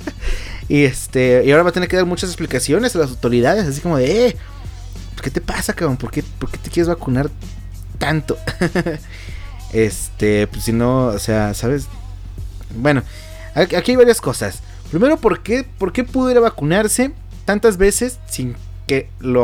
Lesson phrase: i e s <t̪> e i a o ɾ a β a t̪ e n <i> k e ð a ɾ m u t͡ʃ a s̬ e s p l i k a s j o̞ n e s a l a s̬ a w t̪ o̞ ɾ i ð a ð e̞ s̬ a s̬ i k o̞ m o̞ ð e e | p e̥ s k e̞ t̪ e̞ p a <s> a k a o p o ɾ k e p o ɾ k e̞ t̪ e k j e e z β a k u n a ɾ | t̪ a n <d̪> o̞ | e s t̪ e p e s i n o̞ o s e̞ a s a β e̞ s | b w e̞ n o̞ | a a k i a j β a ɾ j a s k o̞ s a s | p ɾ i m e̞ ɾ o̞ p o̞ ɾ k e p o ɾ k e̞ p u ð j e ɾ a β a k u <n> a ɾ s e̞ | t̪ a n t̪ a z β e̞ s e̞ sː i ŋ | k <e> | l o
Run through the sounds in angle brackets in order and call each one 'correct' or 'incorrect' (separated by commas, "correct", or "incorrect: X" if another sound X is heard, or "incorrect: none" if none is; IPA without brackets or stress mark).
correct, incorrect: e, correct, incorrect: t̪, correct, correct